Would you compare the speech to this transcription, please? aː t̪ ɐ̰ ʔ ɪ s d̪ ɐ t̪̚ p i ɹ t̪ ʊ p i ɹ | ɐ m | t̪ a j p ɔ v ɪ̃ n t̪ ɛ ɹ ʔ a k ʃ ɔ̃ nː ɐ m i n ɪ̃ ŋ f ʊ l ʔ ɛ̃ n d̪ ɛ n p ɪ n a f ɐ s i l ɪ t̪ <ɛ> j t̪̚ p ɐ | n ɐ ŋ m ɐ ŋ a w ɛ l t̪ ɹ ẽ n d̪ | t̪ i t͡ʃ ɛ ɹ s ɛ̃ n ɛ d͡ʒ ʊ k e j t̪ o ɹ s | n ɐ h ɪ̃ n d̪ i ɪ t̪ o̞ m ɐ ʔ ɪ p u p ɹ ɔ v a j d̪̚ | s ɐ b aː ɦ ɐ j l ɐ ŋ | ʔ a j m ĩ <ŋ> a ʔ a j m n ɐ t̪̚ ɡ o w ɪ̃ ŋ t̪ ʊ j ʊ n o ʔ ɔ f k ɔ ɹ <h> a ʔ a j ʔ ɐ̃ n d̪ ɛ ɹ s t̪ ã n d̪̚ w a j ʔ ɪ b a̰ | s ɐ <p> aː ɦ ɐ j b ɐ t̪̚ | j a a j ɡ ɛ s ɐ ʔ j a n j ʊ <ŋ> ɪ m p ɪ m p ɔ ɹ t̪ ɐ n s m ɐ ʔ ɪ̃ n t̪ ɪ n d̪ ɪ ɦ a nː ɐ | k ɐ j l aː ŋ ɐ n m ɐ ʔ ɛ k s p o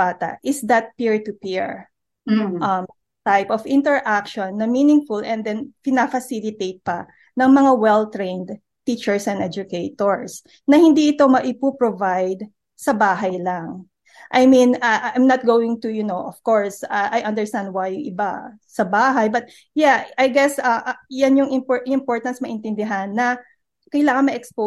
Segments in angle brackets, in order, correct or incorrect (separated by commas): incorrect, incorrect, incorrect, incorrect, correct